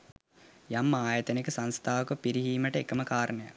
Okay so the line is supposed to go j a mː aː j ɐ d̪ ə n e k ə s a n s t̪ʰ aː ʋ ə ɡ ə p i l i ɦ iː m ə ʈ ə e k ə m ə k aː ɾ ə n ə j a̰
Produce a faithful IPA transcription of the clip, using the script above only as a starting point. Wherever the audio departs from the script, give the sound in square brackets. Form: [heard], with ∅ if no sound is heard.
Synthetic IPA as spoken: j a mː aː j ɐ [t̪] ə n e k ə s a n s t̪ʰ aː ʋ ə [k] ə p i [ɾ] i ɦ iː m ə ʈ ə e k ə m ə k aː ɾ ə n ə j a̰

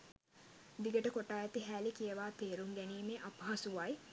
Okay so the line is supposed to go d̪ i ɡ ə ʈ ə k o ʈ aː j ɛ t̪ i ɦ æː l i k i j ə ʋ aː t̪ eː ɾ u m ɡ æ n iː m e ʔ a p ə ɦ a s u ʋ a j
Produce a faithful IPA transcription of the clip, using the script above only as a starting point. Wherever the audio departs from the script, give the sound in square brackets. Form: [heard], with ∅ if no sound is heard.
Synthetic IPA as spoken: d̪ i ɡ ə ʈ ə k o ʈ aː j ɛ t̪ i ɦ æː l i k i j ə ʋ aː t̪ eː ɾ u [ŋ] ɡ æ n iː m e ʔ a p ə ɦ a s u ʋ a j

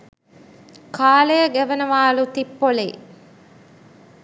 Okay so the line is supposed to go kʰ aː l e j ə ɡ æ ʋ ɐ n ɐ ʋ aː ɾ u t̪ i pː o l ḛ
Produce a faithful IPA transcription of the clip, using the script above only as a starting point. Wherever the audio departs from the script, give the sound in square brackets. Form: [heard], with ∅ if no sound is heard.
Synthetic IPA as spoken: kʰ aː l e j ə ɡ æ ʋ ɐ n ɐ ʋ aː [l] u t̪ i pː o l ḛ

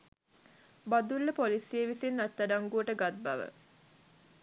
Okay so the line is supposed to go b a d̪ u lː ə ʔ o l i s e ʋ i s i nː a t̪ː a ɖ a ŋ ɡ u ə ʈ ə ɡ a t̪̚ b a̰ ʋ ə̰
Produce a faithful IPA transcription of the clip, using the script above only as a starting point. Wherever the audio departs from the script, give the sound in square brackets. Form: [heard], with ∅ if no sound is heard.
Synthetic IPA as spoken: b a d̪ u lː ə [p] o l i s e ʋ i s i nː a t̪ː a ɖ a ŋ ɡ u ə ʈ ə ɡ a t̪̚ b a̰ ʋ ə̰

